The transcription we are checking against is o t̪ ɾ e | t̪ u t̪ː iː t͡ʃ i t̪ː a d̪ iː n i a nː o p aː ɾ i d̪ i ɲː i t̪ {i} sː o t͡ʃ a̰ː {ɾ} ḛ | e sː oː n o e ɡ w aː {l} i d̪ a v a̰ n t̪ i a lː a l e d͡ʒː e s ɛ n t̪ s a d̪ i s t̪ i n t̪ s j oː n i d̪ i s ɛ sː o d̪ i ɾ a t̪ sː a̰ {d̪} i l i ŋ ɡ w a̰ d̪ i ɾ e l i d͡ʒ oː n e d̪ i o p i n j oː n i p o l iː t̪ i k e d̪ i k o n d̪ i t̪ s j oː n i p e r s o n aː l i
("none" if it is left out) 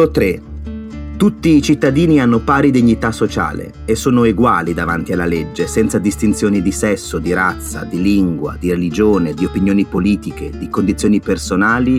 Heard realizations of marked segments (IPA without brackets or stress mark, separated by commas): a, l, l, d̪